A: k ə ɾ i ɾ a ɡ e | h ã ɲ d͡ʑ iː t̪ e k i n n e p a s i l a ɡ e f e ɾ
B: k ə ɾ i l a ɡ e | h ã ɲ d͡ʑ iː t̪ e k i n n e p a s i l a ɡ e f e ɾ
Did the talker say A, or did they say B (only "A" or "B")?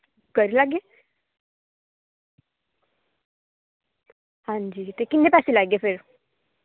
B